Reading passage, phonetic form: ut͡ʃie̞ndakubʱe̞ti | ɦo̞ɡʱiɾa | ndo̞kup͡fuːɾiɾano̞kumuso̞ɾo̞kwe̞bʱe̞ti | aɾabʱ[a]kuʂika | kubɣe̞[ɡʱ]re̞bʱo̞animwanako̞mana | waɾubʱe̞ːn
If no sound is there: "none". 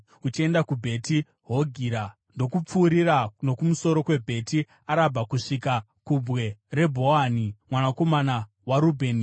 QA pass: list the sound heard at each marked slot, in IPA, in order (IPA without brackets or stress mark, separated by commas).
a, none